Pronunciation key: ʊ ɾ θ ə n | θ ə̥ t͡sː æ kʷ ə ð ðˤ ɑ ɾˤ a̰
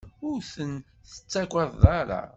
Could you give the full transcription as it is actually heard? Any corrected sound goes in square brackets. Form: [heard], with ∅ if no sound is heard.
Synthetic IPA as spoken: ʊ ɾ θ ə n | θ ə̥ t͡sː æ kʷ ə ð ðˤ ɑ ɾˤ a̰